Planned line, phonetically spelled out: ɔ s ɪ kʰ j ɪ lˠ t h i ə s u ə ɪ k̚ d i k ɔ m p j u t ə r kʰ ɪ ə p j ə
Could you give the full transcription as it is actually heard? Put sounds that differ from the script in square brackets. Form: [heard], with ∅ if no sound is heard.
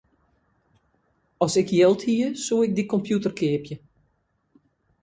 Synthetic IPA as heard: ɔ s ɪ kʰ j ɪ lˠ t h i ə s u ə ɪ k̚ d i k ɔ m p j u t ə r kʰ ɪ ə p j ə